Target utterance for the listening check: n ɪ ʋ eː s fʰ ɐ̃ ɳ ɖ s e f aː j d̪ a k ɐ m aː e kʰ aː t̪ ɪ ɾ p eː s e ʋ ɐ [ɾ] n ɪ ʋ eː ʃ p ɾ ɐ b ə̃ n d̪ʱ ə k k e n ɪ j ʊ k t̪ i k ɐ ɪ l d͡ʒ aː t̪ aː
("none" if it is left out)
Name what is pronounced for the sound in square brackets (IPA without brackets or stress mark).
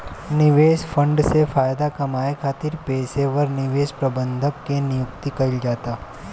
ɾ